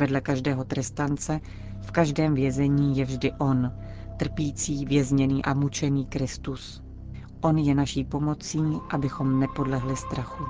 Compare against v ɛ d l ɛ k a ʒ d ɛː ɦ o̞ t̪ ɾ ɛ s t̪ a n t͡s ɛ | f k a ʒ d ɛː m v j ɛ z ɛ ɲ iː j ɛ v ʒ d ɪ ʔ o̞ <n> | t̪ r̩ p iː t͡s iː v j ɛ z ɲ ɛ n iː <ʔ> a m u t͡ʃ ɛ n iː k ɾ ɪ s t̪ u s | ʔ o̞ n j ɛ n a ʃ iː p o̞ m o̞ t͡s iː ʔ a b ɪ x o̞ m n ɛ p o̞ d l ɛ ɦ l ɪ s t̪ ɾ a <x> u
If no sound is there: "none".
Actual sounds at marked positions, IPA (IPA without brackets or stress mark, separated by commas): n, ʔ, x